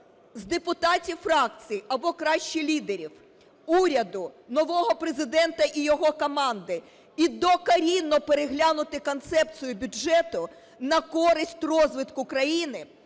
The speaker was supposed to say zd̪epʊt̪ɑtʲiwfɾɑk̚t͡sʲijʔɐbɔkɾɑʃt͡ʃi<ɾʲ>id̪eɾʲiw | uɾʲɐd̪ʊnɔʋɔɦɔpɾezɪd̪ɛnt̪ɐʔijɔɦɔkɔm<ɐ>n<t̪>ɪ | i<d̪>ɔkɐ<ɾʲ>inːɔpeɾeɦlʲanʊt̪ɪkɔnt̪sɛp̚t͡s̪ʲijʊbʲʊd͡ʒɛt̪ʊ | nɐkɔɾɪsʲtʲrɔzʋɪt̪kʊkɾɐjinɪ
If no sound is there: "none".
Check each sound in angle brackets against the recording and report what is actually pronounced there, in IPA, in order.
lʲ, ɑ, d̪, d̪, ɾʲ

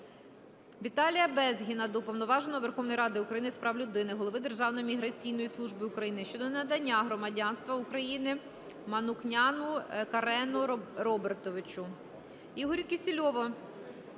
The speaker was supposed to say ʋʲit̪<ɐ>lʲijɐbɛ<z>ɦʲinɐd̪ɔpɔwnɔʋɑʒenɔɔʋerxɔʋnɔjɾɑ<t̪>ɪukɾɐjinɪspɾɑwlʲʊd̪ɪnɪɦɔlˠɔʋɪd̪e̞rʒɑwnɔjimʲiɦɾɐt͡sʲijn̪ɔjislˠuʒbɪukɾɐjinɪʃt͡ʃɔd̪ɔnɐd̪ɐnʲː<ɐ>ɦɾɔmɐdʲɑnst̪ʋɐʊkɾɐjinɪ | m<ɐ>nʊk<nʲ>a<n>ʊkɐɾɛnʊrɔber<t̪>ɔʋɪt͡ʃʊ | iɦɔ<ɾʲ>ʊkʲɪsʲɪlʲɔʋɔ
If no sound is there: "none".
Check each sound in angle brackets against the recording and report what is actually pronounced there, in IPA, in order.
ɑ, z, d̪, a, ɐ, nʲ, n, t̪, ɾʲ

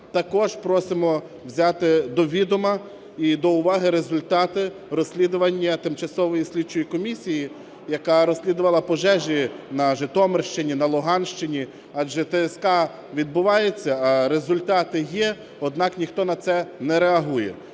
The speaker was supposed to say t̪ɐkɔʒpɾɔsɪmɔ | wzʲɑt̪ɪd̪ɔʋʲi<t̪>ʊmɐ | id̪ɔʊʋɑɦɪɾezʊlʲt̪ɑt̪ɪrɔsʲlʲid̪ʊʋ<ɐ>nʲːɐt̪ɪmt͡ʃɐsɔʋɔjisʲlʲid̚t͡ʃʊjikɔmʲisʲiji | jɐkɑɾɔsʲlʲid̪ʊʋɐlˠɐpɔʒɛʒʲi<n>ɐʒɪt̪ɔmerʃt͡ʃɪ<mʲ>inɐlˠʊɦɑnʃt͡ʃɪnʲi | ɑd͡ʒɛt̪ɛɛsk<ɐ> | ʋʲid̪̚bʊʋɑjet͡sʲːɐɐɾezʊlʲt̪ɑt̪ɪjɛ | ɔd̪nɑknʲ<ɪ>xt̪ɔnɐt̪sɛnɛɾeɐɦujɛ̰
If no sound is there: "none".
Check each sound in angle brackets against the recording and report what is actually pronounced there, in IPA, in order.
d̪, ɐ, n, nʲ, ɑ, i

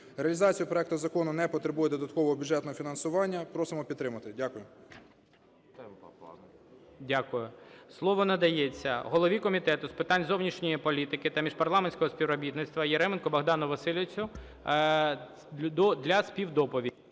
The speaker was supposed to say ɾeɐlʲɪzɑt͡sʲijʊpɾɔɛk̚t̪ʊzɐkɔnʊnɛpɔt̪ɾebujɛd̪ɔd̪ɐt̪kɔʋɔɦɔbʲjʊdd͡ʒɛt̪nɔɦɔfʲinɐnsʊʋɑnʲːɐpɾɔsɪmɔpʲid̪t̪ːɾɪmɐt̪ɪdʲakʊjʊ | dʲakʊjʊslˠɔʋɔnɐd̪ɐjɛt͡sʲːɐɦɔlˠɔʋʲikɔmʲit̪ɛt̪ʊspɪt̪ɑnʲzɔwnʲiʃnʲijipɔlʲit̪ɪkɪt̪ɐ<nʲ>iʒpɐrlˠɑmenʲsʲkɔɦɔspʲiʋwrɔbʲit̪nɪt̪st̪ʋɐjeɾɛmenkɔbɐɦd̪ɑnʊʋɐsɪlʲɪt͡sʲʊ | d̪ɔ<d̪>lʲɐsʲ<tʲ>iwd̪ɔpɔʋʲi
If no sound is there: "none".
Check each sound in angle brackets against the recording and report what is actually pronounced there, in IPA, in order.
mʲ, d̪, pʲ

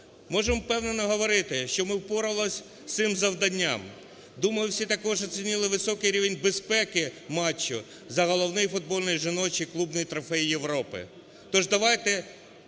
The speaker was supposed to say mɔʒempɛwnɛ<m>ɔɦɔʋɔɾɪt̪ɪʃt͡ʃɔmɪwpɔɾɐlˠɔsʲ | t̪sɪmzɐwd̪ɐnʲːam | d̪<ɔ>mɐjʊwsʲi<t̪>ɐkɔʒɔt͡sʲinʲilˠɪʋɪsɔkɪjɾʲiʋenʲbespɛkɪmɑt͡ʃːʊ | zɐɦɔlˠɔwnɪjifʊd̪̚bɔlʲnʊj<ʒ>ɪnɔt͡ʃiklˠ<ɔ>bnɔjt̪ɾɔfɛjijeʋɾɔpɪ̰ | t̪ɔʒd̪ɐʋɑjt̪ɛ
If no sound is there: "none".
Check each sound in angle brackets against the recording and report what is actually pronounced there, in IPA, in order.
n, u, t̪, ʒ, u

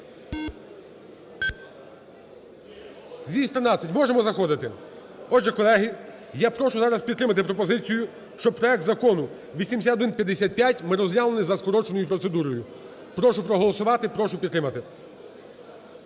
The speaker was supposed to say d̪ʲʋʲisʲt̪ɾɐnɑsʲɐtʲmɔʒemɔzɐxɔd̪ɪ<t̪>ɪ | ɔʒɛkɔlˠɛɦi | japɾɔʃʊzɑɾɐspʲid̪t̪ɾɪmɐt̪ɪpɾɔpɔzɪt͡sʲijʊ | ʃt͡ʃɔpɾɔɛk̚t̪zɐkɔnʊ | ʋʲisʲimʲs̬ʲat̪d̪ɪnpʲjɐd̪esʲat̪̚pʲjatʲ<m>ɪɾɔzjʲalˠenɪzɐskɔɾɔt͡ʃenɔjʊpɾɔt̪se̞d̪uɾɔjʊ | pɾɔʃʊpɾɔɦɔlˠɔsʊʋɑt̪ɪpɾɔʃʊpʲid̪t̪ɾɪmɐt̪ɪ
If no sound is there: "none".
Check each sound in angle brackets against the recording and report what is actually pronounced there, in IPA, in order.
t̪, m

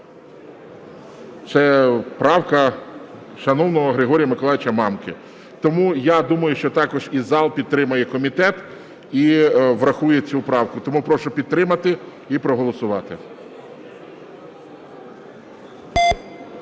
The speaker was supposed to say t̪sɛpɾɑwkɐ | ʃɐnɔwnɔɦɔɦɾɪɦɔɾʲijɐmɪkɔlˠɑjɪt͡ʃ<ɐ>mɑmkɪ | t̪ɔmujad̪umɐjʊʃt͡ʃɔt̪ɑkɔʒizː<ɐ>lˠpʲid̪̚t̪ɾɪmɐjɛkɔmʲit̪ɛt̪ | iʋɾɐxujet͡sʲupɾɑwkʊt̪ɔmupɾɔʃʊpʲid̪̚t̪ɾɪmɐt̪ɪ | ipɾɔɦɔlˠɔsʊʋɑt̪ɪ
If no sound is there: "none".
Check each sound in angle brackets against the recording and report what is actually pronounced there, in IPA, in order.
ɐ, ɑ

